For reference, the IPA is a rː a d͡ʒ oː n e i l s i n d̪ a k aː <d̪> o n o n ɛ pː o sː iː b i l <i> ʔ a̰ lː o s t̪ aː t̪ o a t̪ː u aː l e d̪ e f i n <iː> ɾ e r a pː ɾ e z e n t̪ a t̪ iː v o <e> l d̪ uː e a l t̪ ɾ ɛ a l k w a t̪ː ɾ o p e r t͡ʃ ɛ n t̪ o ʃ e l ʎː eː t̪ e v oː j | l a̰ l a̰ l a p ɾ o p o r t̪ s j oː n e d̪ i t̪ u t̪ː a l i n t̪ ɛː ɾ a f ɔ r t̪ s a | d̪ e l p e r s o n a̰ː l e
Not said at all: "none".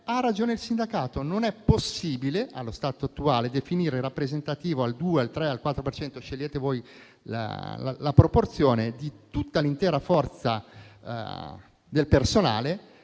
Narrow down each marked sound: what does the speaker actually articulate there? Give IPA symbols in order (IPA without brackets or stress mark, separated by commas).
t̪, e, iː, a